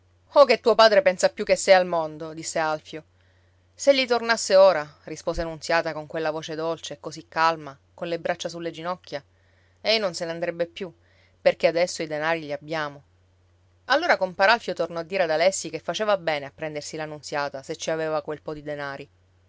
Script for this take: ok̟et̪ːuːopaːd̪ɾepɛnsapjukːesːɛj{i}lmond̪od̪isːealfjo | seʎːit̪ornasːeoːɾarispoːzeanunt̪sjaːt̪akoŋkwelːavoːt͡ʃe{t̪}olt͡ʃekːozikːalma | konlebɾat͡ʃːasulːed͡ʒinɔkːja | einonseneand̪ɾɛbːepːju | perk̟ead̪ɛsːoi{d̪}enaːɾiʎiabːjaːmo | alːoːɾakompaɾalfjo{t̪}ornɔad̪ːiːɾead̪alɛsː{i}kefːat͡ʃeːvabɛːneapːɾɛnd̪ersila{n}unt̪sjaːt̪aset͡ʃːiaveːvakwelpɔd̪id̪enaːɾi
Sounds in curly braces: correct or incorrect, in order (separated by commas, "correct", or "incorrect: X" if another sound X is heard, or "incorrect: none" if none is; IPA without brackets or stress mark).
incorrect: a, incorrect: d̪, correct, correct, correct, correct